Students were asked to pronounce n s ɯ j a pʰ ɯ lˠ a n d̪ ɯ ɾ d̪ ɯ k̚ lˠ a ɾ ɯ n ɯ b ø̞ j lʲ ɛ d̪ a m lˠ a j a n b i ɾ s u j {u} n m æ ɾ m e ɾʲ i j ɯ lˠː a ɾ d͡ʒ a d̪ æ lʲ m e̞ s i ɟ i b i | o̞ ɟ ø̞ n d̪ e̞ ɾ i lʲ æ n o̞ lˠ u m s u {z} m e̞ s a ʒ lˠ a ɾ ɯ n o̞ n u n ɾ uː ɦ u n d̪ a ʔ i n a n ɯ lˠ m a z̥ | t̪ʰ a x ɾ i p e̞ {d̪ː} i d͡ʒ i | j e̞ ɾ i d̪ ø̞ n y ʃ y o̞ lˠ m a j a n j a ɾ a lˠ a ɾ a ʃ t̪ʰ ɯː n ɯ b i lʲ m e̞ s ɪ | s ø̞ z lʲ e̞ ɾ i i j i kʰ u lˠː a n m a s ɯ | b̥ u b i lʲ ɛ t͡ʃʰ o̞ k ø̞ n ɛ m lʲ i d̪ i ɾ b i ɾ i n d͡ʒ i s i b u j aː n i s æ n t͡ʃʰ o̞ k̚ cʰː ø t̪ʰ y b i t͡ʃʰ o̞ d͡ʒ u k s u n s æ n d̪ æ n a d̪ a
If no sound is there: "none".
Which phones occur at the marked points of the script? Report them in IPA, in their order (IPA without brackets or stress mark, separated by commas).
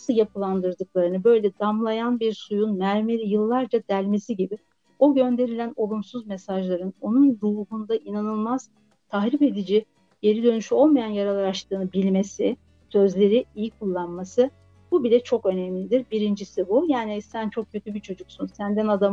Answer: u, z, d̪